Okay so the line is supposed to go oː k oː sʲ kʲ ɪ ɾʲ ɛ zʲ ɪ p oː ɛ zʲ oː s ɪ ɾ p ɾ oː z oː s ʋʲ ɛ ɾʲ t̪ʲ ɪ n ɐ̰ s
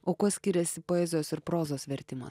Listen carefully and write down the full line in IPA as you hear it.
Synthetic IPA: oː k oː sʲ kʲ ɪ ɾʲ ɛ sʲ ɪ p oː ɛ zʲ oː s ɪ ɾ p ɾ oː z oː s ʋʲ ɛ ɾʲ t̪ʲ ɪ m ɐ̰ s